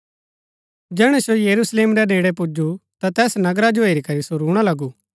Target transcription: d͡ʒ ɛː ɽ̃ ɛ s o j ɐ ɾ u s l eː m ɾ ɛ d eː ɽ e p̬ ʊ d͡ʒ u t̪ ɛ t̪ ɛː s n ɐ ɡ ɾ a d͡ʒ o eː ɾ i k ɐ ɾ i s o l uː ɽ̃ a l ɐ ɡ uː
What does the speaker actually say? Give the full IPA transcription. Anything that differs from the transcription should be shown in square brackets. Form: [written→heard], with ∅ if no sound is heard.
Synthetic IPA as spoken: d͡ʒ ɛː ɽ̃ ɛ s o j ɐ ɾ u s l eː m ɾ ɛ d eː ɽ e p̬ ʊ d͡ʒ u t̪ [ɛ→a] t̪ ɛː s n ɐ ɡ ɾ a d͡ʒ o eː ɾ i k ɐ ɾ i s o [l→ɾ] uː ɽ̃ a l ɐ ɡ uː

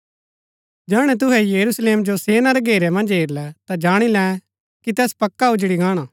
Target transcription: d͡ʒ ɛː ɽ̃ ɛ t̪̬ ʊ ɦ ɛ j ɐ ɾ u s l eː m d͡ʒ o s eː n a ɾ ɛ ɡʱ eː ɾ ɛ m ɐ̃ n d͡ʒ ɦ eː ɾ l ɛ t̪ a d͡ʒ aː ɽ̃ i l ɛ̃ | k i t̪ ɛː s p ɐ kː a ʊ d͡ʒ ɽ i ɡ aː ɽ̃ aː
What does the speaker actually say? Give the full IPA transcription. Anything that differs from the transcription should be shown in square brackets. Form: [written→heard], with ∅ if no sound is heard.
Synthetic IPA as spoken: d͡ʒ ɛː ɽ̃ ɛ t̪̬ ʊ ɦ ɛ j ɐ ɾ u s l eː m d͡ʒ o s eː n a ɾ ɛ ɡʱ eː ɾ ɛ m ɐ̃ n d͡ʒ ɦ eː ɾ l ɛ t̪ a d͡ʒ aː ɽ̃ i l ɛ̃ | k i t̪ ɛː s p ɐ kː a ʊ d͡ʒ ɽ i ɡ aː ɽ̃ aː

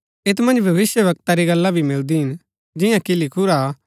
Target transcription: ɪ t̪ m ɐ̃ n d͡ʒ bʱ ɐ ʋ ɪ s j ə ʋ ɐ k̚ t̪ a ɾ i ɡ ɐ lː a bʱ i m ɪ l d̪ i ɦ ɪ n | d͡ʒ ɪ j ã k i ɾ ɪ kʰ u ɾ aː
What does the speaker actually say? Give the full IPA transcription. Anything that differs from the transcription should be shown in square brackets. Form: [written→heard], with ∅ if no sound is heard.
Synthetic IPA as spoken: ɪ t̪ m ɐ̃ n d͡ʒ bʱ ɐ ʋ ɪ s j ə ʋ ɐ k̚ t̪ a ɾ i ɡ ɐ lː a bʱ i m ɪ l d̪ i ɦ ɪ n | d͡ʒ ɪ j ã k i [ɾ→l] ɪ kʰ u ɾ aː

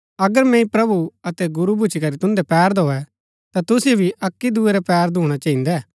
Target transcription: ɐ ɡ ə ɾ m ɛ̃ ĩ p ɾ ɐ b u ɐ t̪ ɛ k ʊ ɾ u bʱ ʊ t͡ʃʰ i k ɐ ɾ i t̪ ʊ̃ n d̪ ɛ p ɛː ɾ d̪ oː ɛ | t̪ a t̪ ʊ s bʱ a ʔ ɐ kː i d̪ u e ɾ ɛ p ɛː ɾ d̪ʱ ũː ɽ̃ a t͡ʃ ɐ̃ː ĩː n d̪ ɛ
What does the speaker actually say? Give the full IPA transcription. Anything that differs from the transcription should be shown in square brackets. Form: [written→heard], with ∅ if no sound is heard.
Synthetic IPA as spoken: ɐ ɡ ə ɾ m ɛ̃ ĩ p ɾ ɐ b u ɐ t̪ ɛ [k→ɡ] ʊ ɾ u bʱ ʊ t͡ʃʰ i k ɐ ɾ i t̪ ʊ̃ n d̪ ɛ p ɛː ɾ d̪ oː ɛ | t̪ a t̪ ʊ s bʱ [a→i] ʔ ɐ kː i d̪ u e ɾ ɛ p ɛː ɾ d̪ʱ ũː ɽ̃ a t͡ʃ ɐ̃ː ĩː n d̪ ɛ

